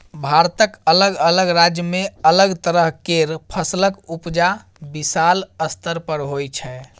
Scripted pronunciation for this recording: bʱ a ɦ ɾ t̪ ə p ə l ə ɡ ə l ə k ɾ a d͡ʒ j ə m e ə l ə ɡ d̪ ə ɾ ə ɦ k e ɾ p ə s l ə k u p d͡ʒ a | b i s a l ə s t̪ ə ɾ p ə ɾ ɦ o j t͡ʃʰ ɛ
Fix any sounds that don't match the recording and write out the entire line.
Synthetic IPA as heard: bʱ a ɾ t̪ ə k ə l ə ɡ ə l ə ɡ ɾ a d͡ʒ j ə m e ə l ə ɡ t̪ ə ɾ ə ɦ k e ɾ pʰ ə s l ə k u p d͡ʒ a | b i s a l ə s t̪ ə ɾ p ə ɾ ɦ o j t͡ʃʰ ɛ